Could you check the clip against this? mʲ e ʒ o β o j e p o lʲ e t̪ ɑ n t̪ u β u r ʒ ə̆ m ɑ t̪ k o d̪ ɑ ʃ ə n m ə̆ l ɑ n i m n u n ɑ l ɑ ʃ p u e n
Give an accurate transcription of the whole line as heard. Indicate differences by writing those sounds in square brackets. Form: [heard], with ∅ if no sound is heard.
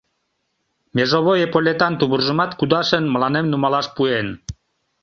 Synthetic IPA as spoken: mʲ e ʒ o β o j e p o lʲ e t̪ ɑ n t̪ u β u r ʒ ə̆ m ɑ t̪ k [u] d̪ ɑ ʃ ə n m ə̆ l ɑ n [e] m n u [m] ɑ l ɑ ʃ p u e n